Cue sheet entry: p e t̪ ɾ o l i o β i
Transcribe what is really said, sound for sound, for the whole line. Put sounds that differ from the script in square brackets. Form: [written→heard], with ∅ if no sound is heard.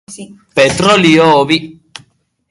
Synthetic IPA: p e t̪ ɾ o l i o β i